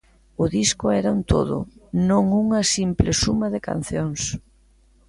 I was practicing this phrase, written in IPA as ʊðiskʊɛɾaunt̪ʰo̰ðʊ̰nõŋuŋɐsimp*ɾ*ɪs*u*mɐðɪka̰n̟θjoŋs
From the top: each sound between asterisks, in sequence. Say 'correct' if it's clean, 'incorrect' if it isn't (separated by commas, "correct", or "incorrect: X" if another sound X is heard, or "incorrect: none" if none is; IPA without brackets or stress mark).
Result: incorrect: l, correct